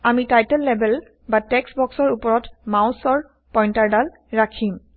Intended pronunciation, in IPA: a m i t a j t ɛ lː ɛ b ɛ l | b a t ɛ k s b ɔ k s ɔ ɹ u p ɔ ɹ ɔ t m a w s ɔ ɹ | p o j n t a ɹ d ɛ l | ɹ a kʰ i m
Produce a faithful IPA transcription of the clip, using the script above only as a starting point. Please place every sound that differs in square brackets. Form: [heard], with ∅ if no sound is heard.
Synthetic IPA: a m i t a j t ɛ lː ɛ b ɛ l | b a t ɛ k s b ɔ k s ɔ ɹ u p ɔ ɹ ɔ t m a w s ɔ ɹ | p [ɔ] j n t a ɹ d [a] l | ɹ a kʰ i m